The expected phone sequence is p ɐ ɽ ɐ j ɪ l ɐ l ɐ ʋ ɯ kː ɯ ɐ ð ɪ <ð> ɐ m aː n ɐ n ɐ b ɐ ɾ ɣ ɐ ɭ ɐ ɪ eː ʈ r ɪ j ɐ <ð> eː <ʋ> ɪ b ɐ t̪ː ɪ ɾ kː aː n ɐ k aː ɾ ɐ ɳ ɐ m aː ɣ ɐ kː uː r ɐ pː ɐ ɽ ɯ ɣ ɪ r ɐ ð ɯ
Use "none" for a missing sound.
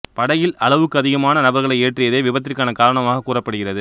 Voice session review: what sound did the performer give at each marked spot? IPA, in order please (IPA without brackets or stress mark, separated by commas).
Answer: ɣ, ð, ʋ